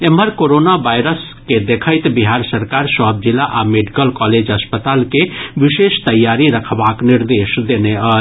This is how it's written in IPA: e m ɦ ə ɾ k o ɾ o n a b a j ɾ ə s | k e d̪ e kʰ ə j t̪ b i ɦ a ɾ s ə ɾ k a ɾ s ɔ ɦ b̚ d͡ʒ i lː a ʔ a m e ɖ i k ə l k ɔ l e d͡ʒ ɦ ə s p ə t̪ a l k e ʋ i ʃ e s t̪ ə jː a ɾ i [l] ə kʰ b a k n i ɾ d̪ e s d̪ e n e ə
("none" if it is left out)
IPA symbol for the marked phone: ɾ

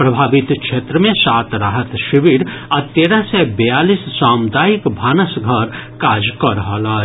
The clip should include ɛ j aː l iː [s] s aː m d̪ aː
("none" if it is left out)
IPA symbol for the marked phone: s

